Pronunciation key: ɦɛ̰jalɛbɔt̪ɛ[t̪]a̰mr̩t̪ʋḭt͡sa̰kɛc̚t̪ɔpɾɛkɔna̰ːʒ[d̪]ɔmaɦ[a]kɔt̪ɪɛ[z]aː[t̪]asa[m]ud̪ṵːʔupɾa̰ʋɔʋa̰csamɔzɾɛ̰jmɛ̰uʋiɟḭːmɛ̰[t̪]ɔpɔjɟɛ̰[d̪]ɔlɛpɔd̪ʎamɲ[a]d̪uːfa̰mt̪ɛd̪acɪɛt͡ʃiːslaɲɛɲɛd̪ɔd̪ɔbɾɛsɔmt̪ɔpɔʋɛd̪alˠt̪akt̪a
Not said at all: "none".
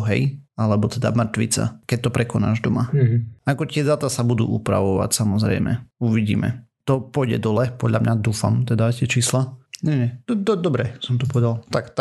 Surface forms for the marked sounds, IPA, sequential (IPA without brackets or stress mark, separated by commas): d̪, d̪, a, z, t̪, b, t̪, d̪, a